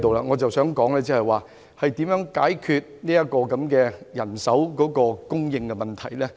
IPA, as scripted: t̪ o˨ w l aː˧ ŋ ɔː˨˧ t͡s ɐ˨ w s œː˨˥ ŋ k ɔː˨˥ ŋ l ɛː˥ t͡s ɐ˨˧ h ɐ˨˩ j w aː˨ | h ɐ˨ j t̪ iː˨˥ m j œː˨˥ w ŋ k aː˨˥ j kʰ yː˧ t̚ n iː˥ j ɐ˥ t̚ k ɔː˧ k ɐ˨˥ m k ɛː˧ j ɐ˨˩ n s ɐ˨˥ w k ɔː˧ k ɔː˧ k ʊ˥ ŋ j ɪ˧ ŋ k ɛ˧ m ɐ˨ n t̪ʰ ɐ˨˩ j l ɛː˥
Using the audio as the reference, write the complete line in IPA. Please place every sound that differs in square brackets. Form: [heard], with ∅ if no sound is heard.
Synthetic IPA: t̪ o˨ w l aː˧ ŋ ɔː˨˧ t͡s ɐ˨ w s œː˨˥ ŋ k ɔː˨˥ ŋ l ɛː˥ t͡s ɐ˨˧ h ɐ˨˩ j w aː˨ | h ɐ˨ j t̪ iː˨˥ m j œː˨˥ [∅] ŋ k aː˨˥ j kʰ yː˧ t̚ n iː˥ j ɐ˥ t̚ k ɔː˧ k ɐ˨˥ m k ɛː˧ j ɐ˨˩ n s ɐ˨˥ w k [ɔː˨˥] k ɔː˧ k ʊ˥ ŋ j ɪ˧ ŋ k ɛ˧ m ɐ˨ n t̪ʰ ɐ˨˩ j l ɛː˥